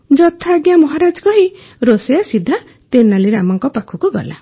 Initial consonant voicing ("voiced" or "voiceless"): voiced